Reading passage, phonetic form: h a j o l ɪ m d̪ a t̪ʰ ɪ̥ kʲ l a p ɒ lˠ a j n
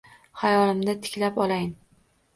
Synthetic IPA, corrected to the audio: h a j ɒ l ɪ m d̪ a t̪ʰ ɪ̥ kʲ l a p ɒ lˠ a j n